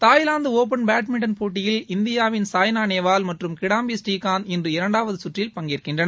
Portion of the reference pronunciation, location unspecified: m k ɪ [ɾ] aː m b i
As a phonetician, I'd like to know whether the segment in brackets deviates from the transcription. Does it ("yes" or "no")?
yes